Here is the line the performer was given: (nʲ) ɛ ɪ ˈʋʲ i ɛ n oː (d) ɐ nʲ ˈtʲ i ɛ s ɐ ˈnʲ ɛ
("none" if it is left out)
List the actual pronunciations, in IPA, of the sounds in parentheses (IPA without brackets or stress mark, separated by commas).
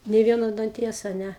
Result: nʲ, d